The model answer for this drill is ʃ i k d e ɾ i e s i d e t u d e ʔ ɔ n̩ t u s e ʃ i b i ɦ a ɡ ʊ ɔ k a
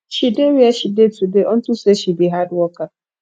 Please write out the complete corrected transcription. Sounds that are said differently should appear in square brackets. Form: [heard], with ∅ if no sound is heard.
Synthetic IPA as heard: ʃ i [∅] d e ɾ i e [ʃ] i d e t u d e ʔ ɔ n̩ t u s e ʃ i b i ɦ a [d] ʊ ɔ k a